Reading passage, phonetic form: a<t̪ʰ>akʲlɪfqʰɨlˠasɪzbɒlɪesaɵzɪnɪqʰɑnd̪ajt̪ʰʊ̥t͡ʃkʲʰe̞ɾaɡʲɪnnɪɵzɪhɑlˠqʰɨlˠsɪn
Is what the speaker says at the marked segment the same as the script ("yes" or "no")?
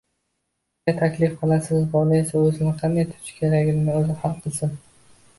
yes